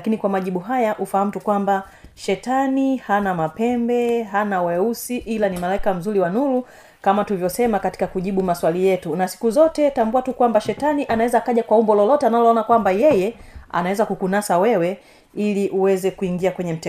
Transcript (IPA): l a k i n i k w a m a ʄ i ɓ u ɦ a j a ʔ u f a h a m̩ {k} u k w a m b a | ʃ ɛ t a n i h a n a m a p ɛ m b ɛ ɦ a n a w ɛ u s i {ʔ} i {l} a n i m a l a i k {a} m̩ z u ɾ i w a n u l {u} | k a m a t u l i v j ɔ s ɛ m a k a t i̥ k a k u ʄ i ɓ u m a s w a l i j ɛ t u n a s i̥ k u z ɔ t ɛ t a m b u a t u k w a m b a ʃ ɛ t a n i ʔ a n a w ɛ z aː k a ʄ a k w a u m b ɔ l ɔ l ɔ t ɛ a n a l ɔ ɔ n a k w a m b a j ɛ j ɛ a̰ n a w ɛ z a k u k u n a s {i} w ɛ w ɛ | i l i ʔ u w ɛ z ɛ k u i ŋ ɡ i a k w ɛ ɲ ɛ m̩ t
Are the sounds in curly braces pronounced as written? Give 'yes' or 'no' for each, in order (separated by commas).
no, yes, yes, yes, yes, no